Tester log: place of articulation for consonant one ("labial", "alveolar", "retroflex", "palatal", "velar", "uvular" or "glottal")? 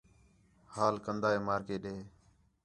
glottal